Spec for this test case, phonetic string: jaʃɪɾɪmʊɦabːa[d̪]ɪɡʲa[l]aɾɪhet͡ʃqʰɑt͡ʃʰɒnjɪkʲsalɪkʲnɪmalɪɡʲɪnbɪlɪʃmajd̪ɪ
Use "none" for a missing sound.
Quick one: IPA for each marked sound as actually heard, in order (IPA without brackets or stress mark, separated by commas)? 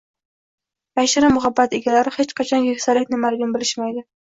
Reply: t̪, l